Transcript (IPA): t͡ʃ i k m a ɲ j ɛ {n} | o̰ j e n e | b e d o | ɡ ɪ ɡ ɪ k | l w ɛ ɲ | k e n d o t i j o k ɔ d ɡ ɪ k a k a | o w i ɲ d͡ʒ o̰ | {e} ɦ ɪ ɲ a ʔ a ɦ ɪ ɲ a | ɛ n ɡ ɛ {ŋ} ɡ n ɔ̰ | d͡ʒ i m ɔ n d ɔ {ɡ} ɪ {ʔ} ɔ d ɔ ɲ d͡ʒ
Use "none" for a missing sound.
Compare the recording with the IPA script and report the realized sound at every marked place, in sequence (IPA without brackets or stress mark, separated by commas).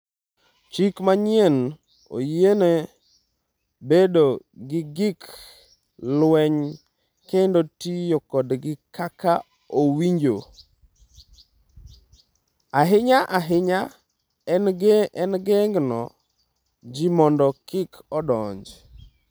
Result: n, a, ŋ, k, k